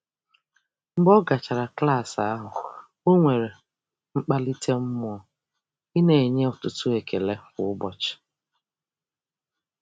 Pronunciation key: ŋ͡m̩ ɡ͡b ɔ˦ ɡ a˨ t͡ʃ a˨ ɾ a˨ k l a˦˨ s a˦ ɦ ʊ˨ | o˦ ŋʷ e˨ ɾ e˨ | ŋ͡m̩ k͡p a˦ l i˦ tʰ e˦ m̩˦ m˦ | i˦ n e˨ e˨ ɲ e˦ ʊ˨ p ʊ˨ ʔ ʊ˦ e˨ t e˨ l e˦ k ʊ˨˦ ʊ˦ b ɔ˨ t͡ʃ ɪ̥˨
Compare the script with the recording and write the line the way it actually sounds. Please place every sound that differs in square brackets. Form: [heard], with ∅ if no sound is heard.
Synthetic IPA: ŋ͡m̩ ɡ͡b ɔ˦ ɡ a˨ t͡ʃ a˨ ɾ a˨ k l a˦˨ s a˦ ɦ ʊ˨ | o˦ ŋʷ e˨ ɾ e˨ | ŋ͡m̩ k͡p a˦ l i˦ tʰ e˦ m̩˦ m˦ | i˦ n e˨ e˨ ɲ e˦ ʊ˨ [t] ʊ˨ [t] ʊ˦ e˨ [k] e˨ l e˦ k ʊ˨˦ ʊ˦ b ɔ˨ t͡ʃ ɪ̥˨